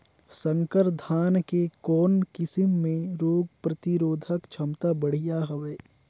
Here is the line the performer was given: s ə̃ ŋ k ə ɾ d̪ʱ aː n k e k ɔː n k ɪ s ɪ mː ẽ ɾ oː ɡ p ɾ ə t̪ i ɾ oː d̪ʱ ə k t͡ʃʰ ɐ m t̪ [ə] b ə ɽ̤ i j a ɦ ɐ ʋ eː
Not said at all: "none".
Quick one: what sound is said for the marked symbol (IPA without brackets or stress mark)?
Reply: a